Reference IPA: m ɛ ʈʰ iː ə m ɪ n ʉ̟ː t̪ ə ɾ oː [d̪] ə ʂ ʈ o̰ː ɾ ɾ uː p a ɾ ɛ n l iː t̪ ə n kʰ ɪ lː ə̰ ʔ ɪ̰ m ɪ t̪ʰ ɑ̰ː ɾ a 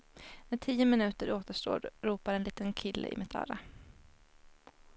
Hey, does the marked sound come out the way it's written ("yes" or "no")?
no